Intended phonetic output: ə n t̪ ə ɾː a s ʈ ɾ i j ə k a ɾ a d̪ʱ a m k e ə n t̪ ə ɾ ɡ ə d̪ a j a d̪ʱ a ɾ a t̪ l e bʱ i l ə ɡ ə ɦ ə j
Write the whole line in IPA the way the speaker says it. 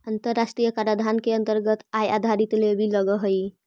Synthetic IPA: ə n t̪ ə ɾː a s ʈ ɾ i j ə k a ɾ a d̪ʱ a n k e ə n t̪ ə ɾ ɡ ə t̪ a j a d̪ʱ a ɾ i t̪ l e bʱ i l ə ɡ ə ɦ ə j